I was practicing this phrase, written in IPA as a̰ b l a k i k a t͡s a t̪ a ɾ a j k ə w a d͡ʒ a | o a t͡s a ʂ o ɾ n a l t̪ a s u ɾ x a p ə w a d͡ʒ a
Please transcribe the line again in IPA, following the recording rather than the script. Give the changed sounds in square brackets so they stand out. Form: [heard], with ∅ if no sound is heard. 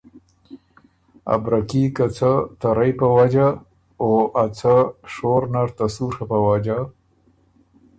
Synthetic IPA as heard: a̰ b [ɾ] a k i k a t͡s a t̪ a ɾ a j [p] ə w a d͡ʒ a | o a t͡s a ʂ o ɾ n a [ɾ] t̪ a s u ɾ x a p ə w a d͡ʒ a